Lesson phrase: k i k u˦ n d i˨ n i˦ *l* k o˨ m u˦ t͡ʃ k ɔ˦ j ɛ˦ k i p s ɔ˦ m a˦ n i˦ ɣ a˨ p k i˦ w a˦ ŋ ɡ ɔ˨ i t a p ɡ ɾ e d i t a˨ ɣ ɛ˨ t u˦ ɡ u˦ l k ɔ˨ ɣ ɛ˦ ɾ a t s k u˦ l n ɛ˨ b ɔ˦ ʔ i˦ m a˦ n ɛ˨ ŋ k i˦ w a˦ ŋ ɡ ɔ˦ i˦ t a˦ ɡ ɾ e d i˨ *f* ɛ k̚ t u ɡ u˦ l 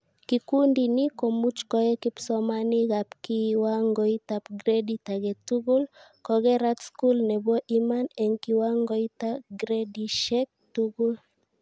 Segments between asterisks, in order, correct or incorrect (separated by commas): incorrect, incorrect